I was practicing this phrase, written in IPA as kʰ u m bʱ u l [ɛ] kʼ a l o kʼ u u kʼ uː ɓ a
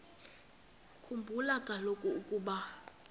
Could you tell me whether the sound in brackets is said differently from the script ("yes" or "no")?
yes